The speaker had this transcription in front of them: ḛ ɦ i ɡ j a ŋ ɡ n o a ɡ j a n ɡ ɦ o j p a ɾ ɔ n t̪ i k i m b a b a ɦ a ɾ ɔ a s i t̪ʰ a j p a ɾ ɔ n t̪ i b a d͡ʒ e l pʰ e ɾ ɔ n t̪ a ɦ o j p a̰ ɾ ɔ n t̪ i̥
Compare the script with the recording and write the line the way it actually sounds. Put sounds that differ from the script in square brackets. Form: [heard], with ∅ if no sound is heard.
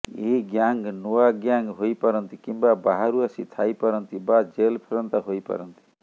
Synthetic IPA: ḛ ɦ i ɡ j a ŋ ɡ n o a ɡ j a [ŋ] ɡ ɦ o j p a ɾ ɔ n t̪ i k i m b a b a ɦ a ɾ [u] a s i t̪ʰ a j p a ɾ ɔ n t̪ i b a d͡ʒ e l pʰ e ɾ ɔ n t̪ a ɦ o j p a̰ ɾ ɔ n t̪ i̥